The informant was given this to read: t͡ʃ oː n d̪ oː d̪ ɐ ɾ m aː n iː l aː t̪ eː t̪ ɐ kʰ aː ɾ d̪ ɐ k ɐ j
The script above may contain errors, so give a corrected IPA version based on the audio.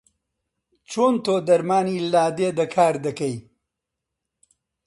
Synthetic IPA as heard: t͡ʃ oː n t̪ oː d̪ ɐ ɾ m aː n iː l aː d̪ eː d̪ ɐ kʰ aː ɾ d̪ ɐ k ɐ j